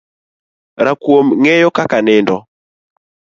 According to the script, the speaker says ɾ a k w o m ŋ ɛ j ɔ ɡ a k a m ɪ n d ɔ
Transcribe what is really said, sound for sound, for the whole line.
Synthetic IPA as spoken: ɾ a k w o m ŋ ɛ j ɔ k a k a n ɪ n d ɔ